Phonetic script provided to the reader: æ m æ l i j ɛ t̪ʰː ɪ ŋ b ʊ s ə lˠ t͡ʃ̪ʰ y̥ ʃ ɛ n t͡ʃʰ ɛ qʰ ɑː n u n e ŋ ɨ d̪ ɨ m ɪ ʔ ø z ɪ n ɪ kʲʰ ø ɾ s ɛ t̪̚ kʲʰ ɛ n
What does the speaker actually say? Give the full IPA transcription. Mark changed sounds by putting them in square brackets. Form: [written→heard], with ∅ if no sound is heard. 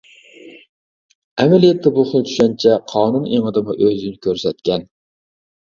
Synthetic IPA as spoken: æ m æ l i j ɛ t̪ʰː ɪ [ŋ→∅] b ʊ [s→χ] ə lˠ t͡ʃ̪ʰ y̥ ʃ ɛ n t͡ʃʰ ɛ qʰ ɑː n u n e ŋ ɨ d̪ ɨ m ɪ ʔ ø z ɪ n ɪ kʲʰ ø ɾ s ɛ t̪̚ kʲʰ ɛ n